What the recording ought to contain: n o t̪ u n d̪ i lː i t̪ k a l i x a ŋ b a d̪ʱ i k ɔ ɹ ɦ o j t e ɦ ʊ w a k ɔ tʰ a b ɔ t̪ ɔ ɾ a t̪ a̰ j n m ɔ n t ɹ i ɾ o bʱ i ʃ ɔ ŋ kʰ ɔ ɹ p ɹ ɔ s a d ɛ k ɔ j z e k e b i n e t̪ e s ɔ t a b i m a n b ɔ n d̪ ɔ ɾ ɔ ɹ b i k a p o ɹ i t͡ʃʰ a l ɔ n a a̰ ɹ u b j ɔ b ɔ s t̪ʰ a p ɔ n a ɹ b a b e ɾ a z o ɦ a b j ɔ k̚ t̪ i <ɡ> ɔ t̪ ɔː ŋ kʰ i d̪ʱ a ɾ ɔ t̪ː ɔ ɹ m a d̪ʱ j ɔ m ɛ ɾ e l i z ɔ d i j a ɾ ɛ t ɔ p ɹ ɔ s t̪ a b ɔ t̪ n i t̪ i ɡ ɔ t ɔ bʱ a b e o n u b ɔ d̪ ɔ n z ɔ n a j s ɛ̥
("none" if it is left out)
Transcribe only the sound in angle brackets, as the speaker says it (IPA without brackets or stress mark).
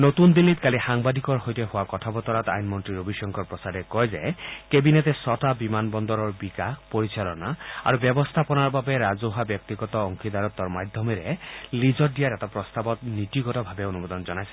ɡ